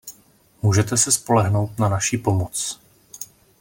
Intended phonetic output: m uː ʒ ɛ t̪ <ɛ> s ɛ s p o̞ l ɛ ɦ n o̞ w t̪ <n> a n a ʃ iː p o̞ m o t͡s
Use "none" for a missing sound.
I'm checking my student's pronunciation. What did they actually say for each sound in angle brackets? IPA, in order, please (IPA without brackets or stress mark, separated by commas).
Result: ɛ, n